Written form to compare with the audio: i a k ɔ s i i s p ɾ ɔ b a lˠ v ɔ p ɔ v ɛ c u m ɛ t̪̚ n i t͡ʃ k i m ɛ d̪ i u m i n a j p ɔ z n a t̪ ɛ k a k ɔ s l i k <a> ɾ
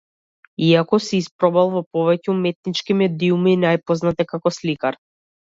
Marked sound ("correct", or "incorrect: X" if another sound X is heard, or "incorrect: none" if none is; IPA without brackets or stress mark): correct